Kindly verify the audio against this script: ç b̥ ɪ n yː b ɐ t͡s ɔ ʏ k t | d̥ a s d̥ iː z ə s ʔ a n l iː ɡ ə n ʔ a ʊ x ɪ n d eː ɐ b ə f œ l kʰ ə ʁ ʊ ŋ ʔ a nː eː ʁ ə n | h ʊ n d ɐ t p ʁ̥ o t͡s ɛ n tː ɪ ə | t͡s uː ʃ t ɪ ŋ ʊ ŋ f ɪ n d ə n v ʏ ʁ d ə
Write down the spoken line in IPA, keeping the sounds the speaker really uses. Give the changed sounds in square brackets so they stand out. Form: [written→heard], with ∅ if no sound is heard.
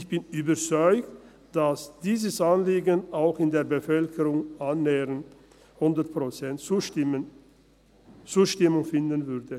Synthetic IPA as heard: ç b̥ ɪ n yː b ɐ t͡s ɔ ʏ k t | d̥ a s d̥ iː z ə s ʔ a n l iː ɡ ə n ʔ a ʊ x ɪ n d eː ɐ b ə f œ l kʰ ə ʁ ʊ ŋ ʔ a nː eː ʁ ə n | h ʊ n d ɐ t p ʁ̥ o t͡s ɛ n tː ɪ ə | t͡s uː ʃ t ɪ [ŋ→m] ʊ ŋ f ɪ n d ə n v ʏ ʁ d ə